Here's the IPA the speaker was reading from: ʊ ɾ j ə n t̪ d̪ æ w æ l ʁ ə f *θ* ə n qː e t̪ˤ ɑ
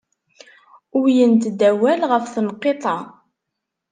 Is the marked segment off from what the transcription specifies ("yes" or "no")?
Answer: no